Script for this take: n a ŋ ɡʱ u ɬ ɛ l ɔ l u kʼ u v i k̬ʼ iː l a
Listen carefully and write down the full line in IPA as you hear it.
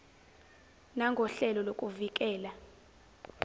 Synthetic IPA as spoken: n a ŋ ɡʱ ɔ ɬ ɛ l ɔ l o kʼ u v i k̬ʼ ɛː l a